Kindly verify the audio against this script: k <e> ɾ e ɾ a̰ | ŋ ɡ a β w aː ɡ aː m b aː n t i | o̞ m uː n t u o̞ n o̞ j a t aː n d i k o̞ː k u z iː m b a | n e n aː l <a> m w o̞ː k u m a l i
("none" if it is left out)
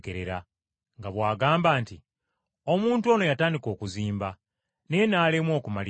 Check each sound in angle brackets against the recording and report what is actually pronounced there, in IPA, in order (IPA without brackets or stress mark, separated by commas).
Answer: e, e